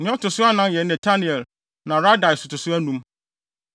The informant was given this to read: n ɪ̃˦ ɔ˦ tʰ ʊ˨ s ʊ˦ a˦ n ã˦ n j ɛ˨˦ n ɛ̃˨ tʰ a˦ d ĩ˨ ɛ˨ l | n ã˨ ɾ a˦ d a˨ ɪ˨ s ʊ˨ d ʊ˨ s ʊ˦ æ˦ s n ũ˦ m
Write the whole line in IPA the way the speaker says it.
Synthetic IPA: n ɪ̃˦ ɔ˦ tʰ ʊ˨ s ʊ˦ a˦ n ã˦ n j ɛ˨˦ n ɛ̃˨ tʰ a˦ n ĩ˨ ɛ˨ l | n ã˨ ɾ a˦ d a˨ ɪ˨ s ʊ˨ t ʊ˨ s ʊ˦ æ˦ n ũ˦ m